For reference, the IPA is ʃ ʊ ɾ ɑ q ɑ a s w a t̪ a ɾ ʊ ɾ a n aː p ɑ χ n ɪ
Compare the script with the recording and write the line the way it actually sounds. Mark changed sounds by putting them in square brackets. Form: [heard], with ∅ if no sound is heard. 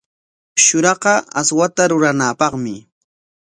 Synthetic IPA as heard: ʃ ʊ ɾ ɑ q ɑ a s w a t̪ a ɾ ʊ ɾ a n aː p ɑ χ [m] ɪ